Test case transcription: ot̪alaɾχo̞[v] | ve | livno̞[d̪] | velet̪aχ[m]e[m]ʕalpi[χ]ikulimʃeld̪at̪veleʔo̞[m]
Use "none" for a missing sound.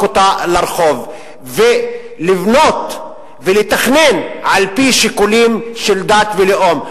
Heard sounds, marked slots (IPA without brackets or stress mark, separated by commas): v, t̪, n, n, ʃ, m